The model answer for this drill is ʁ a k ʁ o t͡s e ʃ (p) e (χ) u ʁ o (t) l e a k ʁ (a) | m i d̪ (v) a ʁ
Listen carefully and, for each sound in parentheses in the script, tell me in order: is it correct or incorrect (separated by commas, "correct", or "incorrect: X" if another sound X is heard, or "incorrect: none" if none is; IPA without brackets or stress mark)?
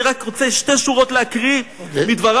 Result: incorrect: t, incorrect: ʃ, correct, incorrect: i, correct